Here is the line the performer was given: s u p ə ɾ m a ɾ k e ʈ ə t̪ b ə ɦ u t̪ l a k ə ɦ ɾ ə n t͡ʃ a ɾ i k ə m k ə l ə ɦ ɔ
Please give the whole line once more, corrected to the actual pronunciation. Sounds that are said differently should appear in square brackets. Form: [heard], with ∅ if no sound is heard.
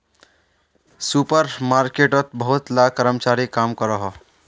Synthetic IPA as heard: s u p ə ɾ m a ɾ k e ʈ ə t̪ b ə ɦ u t̪ l a k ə [∅] ɾ ə [m] t͡ʃ a ɾ i k [a] m k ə [ɾ] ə ɦ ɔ